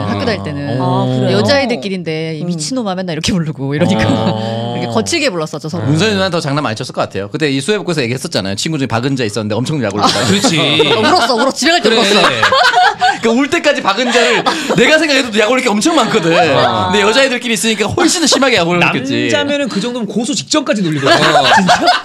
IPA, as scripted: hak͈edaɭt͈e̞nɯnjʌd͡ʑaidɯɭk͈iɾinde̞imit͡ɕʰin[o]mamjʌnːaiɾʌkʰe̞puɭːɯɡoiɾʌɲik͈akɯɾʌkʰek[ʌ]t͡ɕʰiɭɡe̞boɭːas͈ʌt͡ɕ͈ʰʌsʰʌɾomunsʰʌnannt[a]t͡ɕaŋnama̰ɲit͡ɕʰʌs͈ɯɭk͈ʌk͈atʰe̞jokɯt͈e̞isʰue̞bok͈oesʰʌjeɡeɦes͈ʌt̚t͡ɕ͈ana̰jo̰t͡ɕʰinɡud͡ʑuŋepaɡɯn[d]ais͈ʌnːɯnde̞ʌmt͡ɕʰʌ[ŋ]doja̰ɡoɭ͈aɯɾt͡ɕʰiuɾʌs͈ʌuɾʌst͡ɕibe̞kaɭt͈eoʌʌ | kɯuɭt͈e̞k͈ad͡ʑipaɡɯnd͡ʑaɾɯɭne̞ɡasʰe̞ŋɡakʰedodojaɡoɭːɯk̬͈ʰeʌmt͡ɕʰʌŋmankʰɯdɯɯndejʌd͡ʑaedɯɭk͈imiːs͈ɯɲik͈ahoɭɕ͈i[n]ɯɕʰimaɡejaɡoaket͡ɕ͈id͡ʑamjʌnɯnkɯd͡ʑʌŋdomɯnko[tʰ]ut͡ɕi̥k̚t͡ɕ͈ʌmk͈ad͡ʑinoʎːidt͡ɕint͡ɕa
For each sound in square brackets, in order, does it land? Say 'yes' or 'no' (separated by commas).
yes, yes, no, no, yes, yes, no